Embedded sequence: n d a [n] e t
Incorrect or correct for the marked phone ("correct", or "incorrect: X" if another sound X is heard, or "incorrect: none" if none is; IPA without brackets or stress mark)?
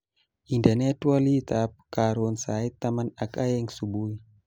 correct